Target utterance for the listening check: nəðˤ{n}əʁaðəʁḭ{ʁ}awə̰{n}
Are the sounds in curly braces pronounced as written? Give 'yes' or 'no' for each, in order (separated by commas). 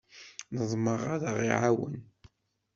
no, no, yes